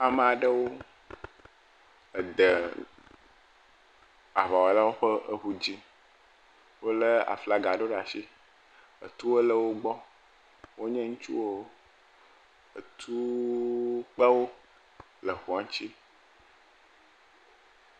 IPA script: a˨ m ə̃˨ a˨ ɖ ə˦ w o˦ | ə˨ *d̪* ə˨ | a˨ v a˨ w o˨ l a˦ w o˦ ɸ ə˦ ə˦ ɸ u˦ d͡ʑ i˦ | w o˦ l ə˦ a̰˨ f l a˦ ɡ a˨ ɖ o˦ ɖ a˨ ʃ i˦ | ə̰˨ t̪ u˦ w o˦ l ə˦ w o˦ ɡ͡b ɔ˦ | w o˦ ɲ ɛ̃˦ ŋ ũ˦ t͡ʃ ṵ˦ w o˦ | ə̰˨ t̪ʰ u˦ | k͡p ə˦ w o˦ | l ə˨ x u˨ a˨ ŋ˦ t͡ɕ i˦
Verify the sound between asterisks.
correct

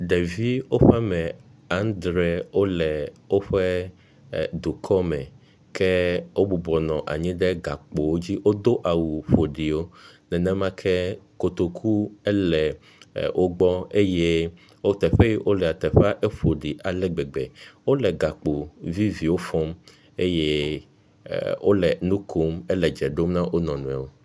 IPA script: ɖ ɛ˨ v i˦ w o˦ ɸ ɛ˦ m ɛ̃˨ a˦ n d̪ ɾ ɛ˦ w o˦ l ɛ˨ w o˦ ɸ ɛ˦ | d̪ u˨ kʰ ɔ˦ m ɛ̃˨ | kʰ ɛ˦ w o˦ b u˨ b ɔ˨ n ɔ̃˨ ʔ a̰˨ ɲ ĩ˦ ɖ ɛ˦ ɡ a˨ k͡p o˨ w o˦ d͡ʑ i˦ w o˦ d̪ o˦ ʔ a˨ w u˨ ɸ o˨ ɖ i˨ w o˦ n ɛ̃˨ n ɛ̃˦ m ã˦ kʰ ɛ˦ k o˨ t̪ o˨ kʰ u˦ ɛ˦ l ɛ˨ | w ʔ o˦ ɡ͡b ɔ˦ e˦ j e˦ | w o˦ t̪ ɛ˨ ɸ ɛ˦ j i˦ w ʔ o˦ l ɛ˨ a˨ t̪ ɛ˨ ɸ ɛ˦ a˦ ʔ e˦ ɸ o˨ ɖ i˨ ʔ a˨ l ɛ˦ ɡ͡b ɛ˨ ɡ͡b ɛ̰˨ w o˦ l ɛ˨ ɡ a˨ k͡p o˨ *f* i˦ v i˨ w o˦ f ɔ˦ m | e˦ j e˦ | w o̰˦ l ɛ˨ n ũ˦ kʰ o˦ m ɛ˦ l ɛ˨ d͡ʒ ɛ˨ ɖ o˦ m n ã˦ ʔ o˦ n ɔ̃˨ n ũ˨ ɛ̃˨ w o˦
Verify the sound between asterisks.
incorrect: v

